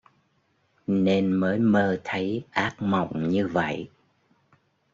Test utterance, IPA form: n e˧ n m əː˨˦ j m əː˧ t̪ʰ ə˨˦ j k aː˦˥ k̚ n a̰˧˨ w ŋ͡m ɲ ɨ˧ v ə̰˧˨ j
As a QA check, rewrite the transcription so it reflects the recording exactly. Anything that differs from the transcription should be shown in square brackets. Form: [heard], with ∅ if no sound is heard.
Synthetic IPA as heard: n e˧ n m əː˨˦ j m əː˧ t̪ʰ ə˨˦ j [ʔ] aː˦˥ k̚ [m] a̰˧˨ w ŋ͡m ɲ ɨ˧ v ə̰˧˨ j

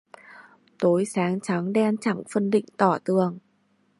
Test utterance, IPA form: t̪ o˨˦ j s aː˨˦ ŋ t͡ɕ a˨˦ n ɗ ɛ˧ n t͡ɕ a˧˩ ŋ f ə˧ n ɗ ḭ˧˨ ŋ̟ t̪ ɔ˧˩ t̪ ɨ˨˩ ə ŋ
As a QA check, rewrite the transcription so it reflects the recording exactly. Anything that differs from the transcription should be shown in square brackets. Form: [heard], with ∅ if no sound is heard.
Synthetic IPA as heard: t̪ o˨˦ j s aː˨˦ ŋ t͡ɕ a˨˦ [ŋ] ɗ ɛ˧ n t͡ɕ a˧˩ ŋ f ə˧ n ɗ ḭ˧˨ ŋ̟ t̪ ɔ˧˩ t̪ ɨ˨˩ ə ŋ

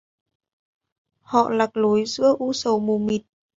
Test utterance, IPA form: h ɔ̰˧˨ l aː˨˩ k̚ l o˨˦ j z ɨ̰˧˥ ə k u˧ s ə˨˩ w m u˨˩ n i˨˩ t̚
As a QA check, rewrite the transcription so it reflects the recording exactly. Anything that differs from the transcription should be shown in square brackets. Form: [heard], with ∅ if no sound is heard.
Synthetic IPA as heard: h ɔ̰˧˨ l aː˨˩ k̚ l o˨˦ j z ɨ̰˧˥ ə [ʔ] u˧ s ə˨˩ w m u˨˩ [m] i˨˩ t̚

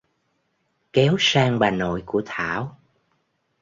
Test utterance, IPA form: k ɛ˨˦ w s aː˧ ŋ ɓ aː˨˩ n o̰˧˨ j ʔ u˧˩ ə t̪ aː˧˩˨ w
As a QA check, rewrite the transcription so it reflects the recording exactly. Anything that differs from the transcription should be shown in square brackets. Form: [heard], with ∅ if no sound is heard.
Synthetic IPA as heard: k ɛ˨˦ w s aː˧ ŋ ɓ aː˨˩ n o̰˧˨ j [k] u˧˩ ə [t̪ʰ] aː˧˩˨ w

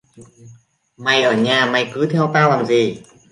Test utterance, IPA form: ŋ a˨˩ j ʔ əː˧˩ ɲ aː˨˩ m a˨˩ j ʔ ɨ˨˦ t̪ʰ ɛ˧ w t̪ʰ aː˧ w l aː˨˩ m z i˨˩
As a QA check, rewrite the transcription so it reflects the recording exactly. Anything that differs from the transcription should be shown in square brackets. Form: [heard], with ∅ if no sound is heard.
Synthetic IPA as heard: [m] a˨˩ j ʔ əː˧˩ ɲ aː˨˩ m a˨˩ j [k] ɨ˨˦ t̪ʰ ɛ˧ w [t̪] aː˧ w l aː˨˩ m z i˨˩

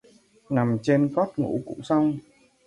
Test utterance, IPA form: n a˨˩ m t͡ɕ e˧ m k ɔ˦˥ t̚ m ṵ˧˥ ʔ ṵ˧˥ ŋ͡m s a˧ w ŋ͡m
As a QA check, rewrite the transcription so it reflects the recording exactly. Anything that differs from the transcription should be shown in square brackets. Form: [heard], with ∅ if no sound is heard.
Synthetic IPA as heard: n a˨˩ m t͡ɕ e˧ [n] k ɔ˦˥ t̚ [ŋ] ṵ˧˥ [k] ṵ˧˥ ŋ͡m s a˧ w ŋ͡m

